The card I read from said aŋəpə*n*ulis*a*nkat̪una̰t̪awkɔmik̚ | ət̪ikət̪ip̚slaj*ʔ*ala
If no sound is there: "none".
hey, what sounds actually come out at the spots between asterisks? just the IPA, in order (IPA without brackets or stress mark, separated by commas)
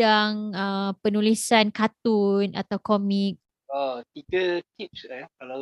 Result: n, a, k